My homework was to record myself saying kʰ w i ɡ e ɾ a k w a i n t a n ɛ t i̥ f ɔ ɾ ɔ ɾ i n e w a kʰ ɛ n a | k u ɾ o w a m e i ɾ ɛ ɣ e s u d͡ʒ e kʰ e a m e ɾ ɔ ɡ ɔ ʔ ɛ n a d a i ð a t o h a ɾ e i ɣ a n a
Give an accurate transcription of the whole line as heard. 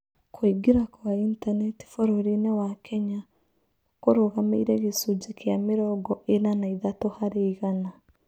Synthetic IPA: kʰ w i ɡ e ɾ a k w a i n t a n ɛ t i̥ f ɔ ɾ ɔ ɾ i n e w a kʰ ɛ ɲ a | k o ɾ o ɣ a m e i ɾ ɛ ɣ e s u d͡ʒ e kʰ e a m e ɾ ɔ ɡ ɔ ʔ e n a n a i ð a t o h a ɾ e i ɣ a n a